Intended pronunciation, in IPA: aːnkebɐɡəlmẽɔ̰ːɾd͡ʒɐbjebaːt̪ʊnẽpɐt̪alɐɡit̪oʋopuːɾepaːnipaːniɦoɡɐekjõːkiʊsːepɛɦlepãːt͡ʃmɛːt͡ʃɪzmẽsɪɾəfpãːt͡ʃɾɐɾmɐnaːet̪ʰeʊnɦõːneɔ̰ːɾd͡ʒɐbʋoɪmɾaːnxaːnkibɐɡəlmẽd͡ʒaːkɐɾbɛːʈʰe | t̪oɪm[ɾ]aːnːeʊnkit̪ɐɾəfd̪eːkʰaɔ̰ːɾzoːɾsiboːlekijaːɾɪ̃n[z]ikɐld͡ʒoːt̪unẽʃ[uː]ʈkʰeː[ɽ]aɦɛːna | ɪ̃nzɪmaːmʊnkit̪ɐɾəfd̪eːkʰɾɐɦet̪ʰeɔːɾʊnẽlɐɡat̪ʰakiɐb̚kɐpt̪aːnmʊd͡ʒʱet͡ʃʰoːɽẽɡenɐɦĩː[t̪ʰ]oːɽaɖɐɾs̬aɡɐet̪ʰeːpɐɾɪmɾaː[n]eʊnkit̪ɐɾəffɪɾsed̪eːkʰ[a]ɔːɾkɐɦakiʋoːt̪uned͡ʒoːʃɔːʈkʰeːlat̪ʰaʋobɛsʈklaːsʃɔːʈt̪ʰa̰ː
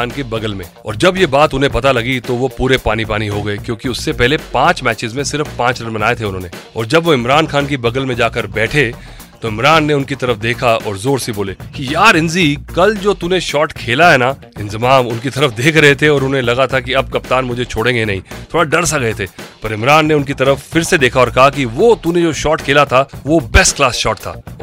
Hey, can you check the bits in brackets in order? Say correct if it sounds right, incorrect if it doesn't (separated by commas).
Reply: correct, correct, incorrect, incorrect, correct, incorrect, correct